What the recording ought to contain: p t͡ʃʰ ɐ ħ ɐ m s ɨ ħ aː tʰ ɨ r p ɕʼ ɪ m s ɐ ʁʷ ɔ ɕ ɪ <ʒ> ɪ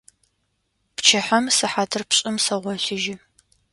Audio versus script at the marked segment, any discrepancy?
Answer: no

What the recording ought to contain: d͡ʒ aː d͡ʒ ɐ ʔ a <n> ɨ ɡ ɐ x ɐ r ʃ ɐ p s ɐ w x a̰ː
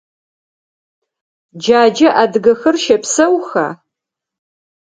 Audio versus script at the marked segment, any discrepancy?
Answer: yes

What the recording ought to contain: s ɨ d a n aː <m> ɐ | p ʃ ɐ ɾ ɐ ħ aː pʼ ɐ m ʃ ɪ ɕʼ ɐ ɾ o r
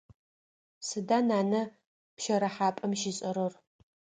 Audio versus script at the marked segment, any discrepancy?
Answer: yes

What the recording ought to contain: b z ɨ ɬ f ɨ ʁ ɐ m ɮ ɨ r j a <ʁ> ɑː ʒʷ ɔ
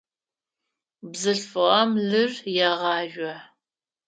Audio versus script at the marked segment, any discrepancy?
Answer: no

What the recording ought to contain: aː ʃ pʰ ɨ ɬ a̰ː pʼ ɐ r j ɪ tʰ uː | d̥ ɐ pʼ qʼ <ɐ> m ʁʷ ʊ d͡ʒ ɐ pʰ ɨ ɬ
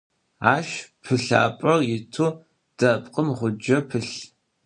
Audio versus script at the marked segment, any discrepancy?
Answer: yes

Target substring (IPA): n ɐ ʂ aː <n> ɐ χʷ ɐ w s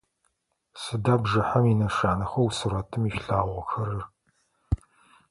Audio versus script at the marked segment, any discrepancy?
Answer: no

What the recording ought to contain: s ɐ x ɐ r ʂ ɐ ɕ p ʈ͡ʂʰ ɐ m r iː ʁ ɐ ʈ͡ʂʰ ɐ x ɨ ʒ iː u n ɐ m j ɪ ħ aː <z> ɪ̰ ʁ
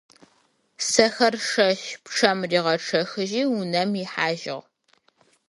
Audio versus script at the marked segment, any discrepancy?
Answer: yes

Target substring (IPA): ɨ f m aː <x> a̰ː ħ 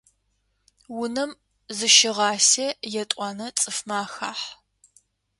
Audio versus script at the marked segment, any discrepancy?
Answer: no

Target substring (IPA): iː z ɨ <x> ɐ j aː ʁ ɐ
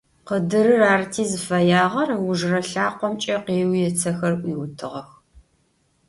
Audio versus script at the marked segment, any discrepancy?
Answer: yes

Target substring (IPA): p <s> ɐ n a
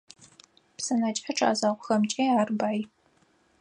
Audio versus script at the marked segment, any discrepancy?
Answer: no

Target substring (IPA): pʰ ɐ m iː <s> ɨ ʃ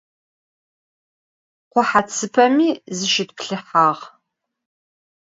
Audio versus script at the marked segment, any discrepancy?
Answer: yes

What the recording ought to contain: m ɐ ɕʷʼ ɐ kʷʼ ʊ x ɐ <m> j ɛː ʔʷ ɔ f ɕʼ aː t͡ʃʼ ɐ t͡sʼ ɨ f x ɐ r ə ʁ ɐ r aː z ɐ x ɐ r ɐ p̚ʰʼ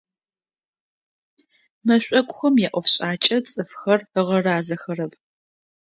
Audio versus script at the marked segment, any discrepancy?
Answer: no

